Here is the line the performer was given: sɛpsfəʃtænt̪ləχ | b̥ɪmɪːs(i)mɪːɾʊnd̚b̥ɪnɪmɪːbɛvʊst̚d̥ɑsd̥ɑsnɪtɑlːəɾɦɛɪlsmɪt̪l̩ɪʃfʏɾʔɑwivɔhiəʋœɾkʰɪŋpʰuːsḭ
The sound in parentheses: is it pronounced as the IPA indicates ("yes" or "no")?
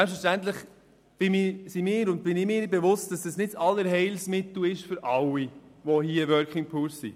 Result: yes